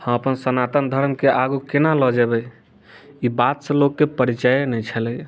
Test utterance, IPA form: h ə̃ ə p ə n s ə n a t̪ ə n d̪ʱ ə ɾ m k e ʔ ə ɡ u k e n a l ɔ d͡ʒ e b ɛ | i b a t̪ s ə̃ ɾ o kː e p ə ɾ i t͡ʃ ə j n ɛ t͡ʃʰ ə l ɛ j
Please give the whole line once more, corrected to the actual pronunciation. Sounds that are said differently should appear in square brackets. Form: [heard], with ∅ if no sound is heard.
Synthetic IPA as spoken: h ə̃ ə p ə n s ə n a t̪ ə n d̪ʱ ə ɾ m k e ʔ [a] ɡ u k e n a l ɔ d͡ʒ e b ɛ | i b a t̪ s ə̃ [l] o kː e p ə ɾ i t͡ʃ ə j n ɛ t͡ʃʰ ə l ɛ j